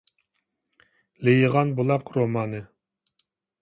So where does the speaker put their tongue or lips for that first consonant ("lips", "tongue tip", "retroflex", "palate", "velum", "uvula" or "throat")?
tongue tip